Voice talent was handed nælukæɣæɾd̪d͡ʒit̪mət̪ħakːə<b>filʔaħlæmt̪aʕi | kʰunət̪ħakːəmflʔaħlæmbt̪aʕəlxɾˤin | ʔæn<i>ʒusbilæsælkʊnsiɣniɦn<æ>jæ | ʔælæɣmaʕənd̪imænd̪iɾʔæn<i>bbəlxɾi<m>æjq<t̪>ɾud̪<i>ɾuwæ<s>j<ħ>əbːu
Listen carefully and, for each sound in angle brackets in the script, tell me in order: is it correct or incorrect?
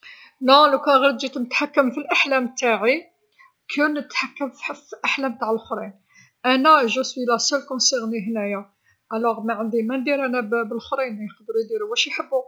incorrect, incorrect, correct, incorrect, incorrect, incorrect, correct, incorrect, correct

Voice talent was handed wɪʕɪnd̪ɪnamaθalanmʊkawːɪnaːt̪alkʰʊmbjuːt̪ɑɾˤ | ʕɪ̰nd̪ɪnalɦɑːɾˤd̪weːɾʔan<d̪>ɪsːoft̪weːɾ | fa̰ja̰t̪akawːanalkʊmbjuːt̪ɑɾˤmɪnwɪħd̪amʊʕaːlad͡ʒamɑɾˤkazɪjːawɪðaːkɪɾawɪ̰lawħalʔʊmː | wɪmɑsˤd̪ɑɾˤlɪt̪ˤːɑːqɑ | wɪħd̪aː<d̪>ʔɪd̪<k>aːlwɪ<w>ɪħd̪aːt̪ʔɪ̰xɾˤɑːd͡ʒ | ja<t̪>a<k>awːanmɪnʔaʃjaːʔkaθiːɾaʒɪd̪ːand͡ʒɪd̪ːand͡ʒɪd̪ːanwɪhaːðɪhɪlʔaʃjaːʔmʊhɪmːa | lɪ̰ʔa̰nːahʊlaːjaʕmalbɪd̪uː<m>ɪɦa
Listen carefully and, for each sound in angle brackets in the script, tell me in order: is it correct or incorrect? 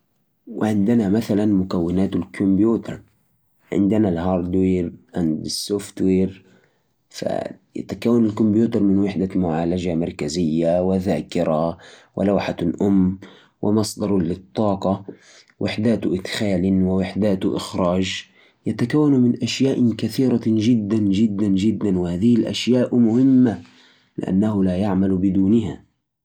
correct, incorrect, incorrect, correct, correct, correct, incorrect

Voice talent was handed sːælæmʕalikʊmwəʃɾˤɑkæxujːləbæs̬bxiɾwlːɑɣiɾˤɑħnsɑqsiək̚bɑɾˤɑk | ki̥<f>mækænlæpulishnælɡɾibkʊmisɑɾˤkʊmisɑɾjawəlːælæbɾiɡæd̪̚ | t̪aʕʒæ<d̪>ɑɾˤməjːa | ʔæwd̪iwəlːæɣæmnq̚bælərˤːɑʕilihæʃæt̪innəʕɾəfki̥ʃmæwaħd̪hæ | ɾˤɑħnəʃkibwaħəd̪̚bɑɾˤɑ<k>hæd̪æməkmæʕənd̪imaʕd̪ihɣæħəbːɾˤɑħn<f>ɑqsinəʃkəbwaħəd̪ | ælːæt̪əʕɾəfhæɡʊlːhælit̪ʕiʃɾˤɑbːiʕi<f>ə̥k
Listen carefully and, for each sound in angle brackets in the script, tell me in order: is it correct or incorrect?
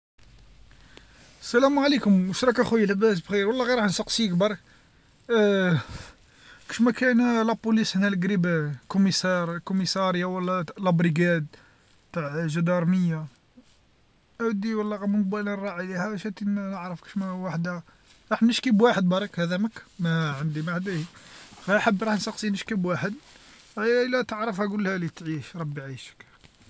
incorrect, correct, correct, incorrect, incorrect

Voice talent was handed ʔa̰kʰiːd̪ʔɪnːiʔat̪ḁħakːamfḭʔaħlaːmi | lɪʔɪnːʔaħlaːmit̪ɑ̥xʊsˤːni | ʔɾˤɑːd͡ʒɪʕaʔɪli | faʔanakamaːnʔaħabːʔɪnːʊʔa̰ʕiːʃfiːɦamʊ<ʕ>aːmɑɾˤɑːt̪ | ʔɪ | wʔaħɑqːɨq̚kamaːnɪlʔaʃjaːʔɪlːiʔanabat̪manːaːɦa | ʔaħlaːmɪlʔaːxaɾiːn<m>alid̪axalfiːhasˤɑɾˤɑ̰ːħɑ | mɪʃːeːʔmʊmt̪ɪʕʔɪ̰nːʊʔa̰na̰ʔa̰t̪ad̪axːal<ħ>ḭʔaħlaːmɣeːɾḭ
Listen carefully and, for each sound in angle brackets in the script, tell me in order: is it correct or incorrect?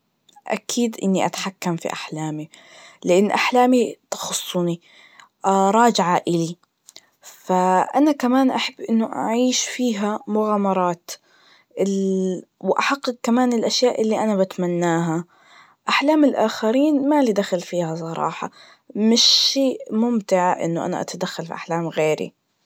incorrect, correct, incorrect

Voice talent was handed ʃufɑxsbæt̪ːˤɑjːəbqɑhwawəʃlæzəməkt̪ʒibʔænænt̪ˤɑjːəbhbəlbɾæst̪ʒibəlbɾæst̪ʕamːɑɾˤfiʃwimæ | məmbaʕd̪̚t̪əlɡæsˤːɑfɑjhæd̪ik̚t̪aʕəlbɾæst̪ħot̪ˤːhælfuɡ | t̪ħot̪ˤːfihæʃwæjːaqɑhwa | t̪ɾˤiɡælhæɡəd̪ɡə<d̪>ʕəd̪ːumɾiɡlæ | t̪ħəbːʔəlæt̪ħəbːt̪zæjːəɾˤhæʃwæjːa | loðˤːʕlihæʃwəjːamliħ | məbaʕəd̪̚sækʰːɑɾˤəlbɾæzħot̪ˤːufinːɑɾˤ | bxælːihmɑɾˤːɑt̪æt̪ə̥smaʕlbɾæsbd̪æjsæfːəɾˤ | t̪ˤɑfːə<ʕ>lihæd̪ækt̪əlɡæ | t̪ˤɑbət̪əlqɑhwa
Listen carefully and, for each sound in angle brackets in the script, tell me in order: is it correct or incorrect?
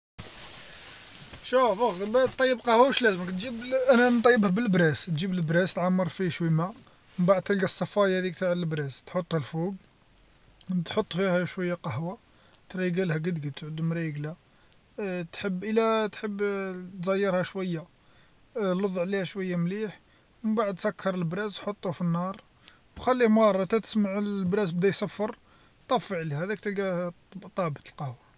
incorrect, correct

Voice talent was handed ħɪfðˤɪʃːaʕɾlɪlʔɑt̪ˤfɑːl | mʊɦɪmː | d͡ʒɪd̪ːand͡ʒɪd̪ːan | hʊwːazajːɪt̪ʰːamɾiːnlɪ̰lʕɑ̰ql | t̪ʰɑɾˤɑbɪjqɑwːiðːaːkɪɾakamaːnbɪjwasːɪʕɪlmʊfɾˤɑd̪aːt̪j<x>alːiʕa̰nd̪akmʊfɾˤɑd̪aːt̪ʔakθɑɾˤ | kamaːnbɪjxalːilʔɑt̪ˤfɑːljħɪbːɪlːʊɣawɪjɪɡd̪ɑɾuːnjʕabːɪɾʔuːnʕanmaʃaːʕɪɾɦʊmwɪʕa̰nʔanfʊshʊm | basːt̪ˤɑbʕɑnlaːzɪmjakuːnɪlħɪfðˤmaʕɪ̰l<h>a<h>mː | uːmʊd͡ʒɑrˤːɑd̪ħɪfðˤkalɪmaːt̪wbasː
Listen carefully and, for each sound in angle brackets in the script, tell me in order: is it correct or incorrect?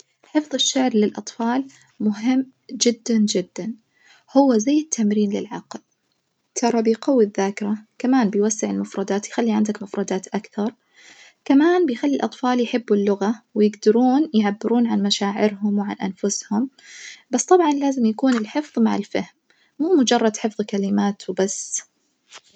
correct, incorrect, correct

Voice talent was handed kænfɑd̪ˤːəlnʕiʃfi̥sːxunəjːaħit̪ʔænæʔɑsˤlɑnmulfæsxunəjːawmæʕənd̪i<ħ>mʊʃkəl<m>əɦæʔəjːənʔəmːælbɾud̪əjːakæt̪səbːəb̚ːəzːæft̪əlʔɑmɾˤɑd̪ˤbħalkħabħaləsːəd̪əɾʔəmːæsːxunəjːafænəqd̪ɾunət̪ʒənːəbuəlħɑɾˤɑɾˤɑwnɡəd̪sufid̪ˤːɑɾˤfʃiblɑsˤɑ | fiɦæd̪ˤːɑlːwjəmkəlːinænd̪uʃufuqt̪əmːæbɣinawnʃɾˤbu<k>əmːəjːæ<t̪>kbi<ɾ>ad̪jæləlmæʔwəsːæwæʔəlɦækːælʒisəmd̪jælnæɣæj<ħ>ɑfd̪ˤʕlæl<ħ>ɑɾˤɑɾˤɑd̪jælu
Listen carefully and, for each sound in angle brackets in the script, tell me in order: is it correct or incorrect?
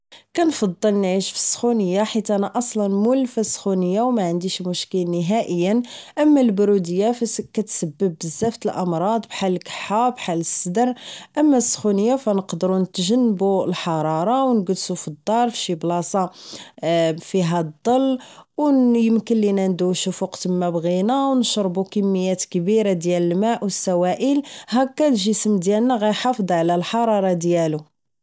incorrect, incorrect, correct, correct, correct, correct, correct

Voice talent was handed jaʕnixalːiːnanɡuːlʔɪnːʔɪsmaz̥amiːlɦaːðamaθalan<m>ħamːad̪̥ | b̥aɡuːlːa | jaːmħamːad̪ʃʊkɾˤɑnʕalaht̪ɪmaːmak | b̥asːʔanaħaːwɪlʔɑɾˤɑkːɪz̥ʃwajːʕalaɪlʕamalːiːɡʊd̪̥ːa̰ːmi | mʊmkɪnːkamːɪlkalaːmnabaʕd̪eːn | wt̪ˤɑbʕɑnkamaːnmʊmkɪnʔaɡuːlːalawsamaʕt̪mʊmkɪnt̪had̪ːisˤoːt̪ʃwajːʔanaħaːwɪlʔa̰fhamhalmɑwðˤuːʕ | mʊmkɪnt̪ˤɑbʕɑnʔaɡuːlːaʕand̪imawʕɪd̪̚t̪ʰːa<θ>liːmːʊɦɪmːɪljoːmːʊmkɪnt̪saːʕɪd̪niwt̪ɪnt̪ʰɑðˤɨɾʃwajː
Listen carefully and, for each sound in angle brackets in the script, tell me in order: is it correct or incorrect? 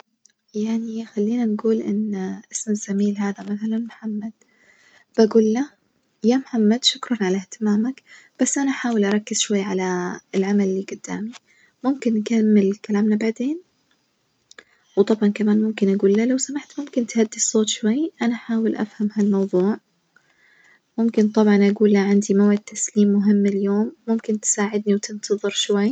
correct, incorrect

